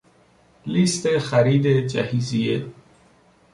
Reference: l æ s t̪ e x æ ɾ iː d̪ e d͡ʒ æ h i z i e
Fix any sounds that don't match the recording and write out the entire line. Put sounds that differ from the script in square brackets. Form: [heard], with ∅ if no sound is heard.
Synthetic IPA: l [i] s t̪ e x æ ɾ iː d̪ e d͡ʒ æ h i z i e